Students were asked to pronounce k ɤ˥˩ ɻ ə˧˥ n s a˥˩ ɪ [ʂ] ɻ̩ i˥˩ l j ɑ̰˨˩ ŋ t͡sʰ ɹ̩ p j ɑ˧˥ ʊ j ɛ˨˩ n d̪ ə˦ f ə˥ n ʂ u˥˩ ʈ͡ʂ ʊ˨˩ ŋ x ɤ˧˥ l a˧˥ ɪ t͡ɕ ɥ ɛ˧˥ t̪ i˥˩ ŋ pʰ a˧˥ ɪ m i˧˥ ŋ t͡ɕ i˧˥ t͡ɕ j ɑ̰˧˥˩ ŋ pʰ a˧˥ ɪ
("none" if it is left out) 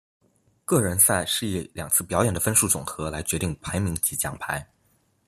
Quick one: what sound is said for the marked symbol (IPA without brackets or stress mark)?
ʂ